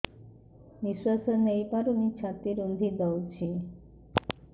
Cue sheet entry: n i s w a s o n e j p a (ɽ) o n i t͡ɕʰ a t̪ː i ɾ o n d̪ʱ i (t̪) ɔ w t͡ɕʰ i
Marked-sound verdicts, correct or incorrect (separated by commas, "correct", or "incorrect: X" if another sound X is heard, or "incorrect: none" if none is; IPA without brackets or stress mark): incorrect: ɾ, incorrect: d̪